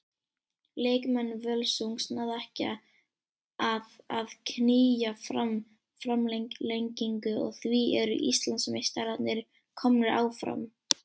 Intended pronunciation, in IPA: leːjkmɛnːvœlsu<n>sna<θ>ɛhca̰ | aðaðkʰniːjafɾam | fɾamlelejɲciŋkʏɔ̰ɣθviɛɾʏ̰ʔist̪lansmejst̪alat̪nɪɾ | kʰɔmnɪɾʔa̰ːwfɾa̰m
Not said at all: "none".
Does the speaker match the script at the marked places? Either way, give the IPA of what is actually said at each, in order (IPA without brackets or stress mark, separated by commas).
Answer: ŋ, ð